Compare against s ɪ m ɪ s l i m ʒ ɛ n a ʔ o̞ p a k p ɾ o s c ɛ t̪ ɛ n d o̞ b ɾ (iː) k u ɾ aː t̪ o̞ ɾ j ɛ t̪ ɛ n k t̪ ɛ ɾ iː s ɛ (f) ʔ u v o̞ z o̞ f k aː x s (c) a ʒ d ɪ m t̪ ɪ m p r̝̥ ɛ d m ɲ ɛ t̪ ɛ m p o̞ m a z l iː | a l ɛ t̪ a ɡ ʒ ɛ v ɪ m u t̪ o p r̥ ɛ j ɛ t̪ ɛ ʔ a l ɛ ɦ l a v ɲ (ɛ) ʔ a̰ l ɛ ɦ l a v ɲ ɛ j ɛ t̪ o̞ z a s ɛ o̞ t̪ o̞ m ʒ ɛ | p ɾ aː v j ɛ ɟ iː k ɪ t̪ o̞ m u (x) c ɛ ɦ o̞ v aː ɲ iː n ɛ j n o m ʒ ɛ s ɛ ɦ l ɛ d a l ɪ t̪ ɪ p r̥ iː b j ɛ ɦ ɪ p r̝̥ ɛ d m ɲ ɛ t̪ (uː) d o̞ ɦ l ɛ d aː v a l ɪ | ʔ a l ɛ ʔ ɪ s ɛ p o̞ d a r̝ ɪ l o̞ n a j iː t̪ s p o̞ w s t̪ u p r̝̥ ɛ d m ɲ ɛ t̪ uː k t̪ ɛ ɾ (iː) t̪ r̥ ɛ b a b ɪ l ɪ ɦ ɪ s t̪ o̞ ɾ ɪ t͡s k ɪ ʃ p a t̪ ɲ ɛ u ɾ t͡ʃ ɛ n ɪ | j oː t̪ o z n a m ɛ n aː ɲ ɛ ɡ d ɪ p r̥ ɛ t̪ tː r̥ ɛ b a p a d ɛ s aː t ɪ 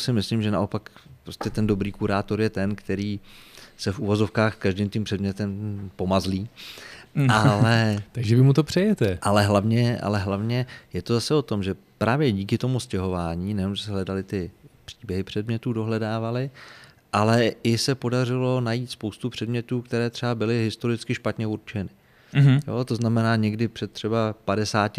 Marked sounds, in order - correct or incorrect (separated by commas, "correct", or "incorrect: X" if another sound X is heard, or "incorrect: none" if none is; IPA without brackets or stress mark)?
correct, correct, incorrect: k, correct, incorrect: s, correct, incorrect: ɛː